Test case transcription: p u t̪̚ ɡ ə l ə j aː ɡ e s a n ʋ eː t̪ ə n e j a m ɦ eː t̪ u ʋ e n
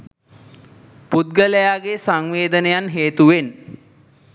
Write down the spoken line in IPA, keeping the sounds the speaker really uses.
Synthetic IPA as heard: p u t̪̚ ɡ ə l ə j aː ɡ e s a ŋ ʋ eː d̪ ə n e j a n ɦ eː t̪ u ʋ e n